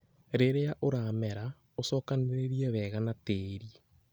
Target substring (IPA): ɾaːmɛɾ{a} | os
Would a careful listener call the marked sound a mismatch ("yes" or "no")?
no